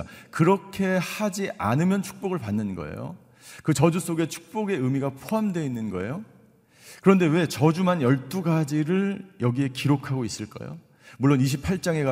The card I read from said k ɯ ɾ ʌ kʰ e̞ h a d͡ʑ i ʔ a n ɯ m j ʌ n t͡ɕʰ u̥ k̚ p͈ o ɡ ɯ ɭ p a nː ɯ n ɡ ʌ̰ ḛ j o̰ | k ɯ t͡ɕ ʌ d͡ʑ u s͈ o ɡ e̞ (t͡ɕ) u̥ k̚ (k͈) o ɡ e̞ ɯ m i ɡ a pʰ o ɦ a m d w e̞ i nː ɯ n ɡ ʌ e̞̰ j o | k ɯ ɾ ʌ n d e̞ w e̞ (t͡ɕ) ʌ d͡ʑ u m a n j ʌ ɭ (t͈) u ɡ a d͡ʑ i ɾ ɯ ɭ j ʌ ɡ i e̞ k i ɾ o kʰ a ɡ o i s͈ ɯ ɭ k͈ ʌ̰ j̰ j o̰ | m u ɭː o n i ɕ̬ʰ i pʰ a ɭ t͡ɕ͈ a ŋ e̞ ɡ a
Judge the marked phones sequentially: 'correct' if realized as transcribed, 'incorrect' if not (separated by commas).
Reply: incorrect, incorrect, correct, correct